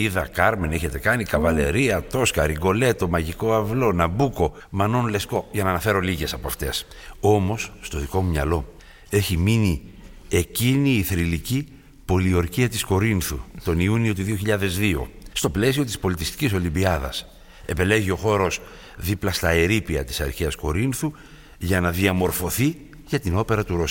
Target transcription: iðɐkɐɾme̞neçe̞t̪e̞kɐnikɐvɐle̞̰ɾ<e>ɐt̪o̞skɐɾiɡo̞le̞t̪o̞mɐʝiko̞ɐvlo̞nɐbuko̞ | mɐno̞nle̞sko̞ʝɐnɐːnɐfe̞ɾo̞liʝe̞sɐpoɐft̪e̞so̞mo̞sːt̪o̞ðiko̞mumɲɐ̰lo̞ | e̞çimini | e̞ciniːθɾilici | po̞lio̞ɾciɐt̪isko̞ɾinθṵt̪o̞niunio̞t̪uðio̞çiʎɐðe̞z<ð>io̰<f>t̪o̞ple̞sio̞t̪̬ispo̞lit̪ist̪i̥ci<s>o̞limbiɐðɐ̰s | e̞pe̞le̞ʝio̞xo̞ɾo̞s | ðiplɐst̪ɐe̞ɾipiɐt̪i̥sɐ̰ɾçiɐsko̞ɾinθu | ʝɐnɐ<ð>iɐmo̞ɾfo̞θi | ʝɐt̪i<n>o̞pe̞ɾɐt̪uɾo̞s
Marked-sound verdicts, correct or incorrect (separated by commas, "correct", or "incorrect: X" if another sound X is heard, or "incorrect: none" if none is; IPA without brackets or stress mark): incorrect: i, correct, incorrect: s, correct, correct, correct